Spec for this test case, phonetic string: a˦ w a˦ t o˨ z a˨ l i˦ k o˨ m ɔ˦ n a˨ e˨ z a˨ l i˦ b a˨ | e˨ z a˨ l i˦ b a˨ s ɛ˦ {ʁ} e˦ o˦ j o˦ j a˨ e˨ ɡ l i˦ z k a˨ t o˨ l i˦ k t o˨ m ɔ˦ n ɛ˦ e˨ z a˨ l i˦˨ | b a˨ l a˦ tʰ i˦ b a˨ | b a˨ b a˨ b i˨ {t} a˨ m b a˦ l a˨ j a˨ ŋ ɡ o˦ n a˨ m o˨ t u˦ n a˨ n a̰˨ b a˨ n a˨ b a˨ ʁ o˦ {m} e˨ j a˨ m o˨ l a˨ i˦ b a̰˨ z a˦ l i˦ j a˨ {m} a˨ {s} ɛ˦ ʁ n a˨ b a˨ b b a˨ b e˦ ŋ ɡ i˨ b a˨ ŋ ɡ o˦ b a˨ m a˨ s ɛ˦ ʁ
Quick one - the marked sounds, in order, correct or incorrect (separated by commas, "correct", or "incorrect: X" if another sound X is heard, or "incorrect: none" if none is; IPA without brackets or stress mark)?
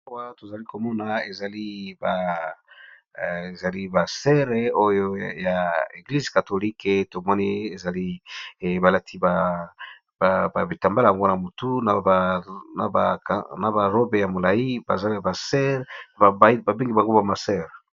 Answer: correct, correct, incorrect: b, incorrect: b, correct